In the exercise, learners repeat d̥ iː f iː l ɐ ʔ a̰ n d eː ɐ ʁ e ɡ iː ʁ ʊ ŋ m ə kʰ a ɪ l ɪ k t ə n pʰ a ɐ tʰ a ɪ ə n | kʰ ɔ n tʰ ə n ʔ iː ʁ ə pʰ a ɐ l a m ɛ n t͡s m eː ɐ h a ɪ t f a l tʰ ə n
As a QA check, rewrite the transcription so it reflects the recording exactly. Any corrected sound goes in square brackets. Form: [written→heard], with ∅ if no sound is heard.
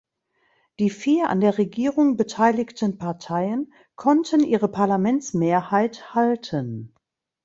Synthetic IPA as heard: d̥ iː f iː [l→∅] ɐ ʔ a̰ n d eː ɐ ʁ e ɡ iː ʁ ʊ ŋ [m→b] ə [kʰ→tʰ] a ɪ l ɪ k t ə n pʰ a ɐ tʰ a ɪ ə n | kʰ ɔ n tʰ ə n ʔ iː ʁ ə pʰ a ɐ l a m ɛ n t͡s m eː ɐ h a ɪ t [f→h] a l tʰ ə n